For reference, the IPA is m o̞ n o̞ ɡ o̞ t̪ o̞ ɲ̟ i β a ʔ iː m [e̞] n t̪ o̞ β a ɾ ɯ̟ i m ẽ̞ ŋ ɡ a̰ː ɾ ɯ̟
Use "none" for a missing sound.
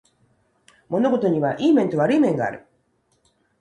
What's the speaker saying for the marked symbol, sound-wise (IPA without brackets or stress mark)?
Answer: ẽ̞